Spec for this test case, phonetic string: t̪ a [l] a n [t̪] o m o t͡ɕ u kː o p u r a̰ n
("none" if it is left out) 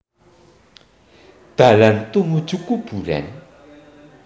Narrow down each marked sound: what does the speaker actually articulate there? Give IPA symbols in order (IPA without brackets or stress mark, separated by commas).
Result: l, t̪